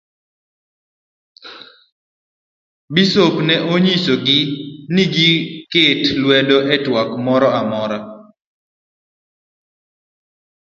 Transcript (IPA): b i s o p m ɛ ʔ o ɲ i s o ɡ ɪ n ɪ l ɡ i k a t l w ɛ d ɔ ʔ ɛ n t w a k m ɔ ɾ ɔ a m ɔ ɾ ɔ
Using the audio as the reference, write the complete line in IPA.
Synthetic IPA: b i s o p n ɛ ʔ o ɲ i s o ɡ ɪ n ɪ ɡ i k e t l w ɛ d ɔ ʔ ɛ t w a k m ɔ ɾ ɔ a m ɔ ɾ ɔ

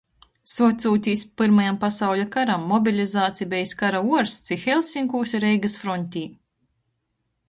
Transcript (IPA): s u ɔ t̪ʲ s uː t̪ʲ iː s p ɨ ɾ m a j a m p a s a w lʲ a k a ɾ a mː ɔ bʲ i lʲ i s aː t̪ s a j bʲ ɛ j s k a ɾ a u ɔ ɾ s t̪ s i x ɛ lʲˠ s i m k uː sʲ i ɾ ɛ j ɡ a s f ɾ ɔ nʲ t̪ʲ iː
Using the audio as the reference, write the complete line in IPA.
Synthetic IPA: s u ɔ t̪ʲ s uː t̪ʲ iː s p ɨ ɾ m a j a m p a s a w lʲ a k a ɾ a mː ɔ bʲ i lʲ i z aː t̪ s i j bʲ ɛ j s k a ɾ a u ɔ ɾ s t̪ s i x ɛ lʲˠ s i ŋ k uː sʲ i ɾ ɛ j ɡ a s f ɾ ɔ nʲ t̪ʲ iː

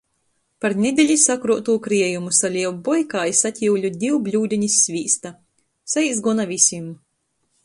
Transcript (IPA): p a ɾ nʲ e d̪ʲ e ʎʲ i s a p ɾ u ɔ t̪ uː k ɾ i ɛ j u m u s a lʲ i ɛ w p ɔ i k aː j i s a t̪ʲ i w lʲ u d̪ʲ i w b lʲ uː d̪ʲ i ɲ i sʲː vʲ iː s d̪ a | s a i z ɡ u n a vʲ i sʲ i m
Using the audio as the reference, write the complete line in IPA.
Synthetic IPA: p a ɾ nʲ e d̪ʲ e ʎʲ i s a k ɾ u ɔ t̪ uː k ɾ i ɛ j u m u s a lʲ i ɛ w b ɔ j k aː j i s a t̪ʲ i w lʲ u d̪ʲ i w b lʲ uː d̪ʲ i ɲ i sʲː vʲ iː s t̪ a | s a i z ɡ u n a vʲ i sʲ i m

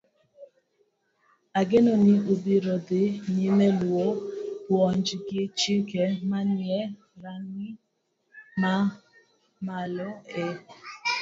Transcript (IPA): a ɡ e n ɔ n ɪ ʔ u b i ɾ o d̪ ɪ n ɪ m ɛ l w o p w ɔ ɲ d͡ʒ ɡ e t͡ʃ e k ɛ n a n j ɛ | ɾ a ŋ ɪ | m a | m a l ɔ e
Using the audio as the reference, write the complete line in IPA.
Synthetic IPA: a ɡ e n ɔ n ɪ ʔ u b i ɾ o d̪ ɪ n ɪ m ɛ l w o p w ɔ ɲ d͡ʒ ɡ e t͡ʃ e k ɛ m a n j ɛ | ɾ a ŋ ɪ | m a | m a l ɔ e

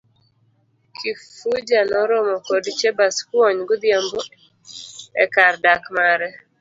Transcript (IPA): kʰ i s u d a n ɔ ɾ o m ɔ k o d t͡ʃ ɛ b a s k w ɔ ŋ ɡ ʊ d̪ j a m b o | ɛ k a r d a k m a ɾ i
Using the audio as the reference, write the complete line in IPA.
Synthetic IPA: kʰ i f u d͡ʒ a n ɔ ɾ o m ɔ k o d t͡ʃ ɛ b a s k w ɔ ɲ ɡ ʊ d̪ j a m b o | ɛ k a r d a k m a ɾ ɛ

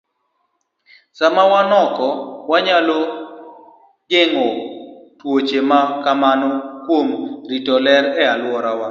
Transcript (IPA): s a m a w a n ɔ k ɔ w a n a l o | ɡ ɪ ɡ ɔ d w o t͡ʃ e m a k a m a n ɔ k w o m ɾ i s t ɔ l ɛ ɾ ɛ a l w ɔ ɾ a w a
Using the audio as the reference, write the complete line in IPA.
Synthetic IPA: s a m a w a n ɔ k ɔ w a ɲ a l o | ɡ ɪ ŋ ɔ t w o t͡ʃ e m a k a m a n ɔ k w o m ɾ i t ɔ l ɛ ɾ ɛ a l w ɔ ɾ a w a

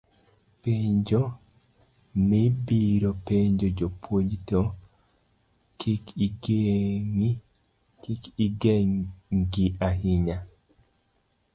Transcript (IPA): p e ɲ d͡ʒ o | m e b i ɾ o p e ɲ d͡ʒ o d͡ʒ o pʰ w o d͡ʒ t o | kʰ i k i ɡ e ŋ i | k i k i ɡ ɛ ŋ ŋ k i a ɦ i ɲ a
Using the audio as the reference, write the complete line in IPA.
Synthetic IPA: p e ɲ d͡ʒ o | m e b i ɾ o p e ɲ d͡ʒ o d͡ʒ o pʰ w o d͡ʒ t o | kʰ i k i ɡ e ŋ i | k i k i ɡ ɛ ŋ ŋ ɡ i a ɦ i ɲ a

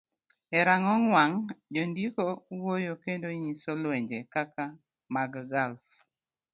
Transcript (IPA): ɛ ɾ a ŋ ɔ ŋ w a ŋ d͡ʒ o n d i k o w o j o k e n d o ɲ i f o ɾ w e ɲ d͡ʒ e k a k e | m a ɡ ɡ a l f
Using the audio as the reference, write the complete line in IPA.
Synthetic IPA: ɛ ɾ a ŋ ɔ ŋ w a ŋ d͡ʒ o n d i k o w o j o k e n d o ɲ i s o l w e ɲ d͡ʒ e k a k a | m a ɡ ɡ a l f

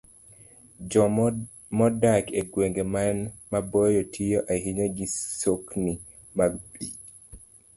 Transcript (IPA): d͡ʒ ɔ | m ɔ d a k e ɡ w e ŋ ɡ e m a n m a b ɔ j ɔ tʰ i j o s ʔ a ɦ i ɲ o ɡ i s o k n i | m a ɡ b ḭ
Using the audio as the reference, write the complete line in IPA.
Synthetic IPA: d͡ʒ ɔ | m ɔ d a k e ɡ w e ŋ ɡ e m a n m a b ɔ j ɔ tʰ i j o ʔ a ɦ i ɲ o ɡ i s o k n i | m a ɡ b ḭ

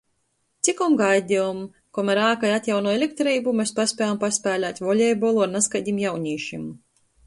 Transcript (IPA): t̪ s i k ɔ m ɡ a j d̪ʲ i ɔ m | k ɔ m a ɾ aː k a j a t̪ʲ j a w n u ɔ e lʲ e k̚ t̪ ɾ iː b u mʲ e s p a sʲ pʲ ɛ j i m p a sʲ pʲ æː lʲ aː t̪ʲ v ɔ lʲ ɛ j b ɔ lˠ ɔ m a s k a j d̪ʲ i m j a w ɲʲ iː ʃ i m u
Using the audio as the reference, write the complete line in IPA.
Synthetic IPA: t̪ s i k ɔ m ɡ a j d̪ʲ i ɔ m | k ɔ m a ɾ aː k a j a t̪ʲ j a w n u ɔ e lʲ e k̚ t̪ ɾ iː b u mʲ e s p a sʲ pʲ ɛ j a m p a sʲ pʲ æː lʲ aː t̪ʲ v ɔ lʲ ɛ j b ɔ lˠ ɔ n a s k a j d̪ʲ i m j a w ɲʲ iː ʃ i m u

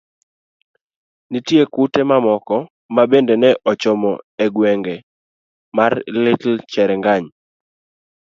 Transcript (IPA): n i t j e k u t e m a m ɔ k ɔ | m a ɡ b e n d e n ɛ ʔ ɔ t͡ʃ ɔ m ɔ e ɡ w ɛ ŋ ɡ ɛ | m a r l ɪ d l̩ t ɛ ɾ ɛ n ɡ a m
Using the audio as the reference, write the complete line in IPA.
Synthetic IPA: n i t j e k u t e m a m ɔ k ɔ | m a b e n d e n ɛ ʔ ɔ t͡ʃ ɔ m ɔ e ɡ w ɛ ŋ ɡ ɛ | m a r l ɪ t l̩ t͡ʃ ɛ ɾ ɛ ŋ ɡ a ɲ

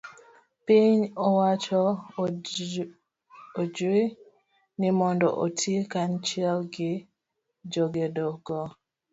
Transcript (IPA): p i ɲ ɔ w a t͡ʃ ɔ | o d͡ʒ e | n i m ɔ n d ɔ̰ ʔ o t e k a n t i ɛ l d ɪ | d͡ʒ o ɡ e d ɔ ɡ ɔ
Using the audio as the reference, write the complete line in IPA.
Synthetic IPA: p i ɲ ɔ w a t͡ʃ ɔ | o d͡ʒ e | n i m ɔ n d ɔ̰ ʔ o t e k a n t͡ʃ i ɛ l ɡ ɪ | d͡ʒ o ɡ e d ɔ ɡ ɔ

